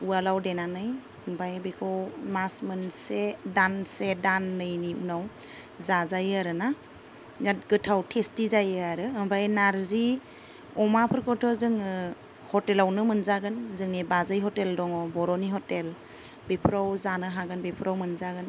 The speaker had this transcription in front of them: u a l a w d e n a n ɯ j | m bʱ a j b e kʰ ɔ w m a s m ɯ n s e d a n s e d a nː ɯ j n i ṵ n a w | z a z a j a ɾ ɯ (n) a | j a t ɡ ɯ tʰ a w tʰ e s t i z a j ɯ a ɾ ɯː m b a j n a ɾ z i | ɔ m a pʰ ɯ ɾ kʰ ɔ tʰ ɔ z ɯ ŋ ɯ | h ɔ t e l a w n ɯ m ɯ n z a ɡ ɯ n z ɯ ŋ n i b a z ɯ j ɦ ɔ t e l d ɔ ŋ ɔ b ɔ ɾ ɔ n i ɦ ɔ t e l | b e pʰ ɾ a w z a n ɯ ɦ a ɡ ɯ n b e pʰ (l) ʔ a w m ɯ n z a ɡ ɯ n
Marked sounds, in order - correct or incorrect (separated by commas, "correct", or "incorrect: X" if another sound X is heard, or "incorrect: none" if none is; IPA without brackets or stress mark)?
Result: correct, incorrect: ɾ